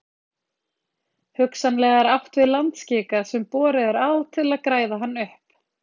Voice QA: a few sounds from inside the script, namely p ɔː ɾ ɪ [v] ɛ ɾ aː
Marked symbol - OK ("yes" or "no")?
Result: no